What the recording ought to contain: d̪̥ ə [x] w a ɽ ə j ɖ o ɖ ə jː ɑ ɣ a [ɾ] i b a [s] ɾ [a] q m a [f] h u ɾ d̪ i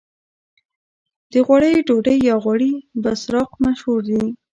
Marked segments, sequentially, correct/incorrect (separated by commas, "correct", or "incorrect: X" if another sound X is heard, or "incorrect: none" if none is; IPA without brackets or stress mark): incorrect: ɣ, incorrect: ɽ, correct, incorrect: ɑ, incorrect: ʃ